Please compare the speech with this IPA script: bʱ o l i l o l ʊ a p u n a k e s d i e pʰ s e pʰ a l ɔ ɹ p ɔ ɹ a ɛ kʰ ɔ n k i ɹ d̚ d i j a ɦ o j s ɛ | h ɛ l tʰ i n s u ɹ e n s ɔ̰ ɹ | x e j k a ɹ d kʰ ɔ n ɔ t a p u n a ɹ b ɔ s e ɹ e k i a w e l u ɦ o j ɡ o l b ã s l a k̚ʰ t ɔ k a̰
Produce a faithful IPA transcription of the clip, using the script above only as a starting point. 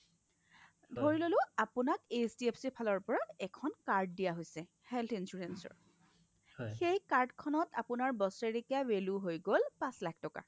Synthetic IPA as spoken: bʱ o ɹ i l o l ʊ a p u n a k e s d i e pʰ s i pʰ a l ɔ ɹ p ɔ ɹ a ɛ kʰ ɔ n k a ɹ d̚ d i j a ɦ o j s ɛ | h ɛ l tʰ i n s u ɹ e n s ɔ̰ ɹ | x e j k a ɹ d kʰ ɔ n ɔ t a p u n a ɹ b ɔ s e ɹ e k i a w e l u ɦ o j ɡ o l p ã s l a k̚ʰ t ɔ k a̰